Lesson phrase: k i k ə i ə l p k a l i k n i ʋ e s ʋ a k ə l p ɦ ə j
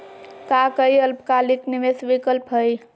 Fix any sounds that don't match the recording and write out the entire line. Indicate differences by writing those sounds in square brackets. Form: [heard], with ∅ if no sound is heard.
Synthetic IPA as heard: k [a] k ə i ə l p k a l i k n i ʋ e s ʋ [i] k ə l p ɦ ə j